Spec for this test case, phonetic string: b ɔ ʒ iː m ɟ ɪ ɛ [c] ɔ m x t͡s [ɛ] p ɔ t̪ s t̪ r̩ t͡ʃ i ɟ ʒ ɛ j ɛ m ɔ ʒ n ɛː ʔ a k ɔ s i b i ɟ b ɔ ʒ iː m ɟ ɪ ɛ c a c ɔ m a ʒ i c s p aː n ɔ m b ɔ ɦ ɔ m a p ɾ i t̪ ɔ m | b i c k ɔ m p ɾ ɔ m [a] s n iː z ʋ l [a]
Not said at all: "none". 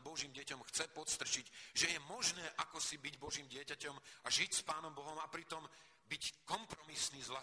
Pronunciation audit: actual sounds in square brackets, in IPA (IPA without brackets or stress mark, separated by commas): c, ɛ, i, a